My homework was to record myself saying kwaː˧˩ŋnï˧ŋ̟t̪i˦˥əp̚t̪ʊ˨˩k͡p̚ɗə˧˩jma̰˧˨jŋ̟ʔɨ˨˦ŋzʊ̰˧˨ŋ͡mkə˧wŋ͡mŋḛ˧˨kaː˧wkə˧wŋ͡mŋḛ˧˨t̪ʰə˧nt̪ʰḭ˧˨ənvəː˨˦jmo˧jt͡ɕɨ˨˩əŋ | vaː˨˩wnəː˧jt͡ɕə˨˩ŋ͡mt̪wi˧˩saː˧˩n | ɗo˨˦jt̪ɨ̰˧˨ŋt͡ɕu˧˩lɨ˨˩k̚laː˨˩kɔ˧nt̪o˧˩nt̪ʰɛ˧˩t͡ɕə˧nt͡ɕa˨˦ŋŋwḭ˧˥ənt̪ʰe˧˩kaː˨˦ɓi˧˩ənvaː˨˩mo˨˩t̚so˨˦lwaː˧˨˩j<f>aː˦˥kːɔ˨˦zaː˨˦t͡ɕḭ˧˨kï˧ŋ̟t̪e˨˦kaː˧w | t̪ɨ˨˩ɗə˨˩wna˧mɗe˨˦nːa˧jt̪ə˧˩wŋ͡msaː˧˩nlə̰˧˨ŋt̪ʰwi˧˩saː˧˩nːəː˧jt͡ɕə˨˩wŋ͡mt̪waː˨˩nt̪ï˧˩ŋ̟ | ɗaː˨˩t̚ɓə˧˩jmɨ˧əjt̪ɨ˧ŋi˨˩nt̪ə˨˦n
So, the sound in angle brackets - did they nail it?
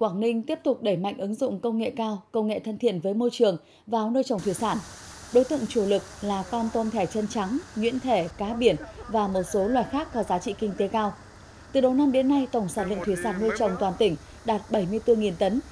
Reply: no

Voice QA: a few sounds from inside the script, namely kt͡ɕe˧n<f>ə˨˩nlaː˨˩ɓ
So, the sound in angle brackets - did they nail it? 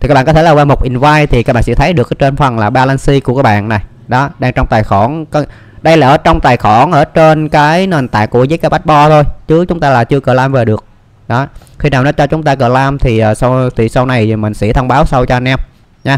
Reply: yes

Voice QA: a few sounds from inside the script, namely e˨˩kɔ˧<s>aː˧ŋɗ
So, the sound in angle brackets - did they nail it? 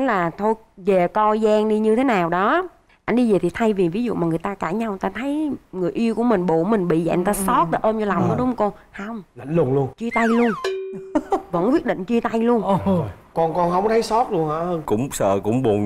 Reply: no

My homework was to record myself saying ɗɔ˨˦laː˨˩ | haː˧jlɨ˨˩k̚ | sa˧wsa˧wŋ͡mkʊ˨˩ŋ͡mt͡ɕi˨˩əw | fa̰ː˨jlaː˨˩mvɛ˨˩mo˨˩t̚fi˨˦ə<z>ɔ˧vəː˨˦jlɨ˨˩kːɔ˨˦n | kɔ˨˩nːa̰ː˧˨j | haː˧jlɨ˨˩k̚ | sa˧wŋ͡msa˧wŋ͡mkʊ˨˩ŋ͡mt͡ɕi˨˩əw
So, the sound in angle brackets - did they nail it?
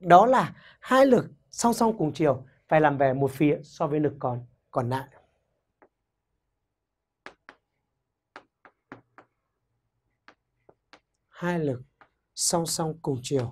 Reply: no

